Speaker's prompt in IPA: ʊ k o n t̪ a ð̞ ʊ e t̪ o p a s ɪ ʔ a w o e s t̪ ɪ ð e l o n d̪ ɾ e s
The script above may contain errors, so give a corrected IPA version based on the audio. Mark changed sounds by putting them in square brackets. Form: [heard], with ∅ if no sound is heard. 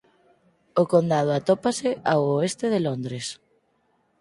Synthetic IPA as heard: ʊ k o n [d̪] a ð̞ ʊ [a] t̪ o p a s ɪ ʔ a w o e s t̪ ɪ ð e l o n d̪ ɾ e s